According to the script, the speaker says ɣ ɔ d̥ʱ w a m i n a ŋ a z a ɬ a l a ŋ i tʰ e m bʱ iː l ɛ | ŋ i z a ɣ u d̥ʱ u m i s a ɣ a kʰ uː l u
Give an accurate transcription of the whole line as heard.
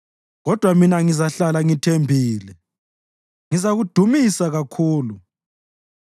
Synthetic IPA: ɣ ɔ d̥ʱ w a m i n a ŋ i z a ɬ a l a ŋ i tʰ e m bʱ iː l ɛ | ŋ i z a ɣ u d̥ʱ u m i s a ɣ a kʰ uː l u